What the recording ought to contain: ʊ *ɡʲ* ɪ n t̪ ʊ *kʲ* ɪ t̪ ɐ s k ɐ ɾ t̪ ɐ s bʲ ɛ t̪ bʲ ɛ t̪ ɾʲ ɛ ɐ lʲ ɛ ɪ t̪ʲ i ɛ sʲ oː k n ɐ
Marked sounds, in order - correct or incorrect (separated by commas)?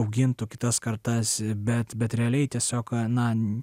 correct, correct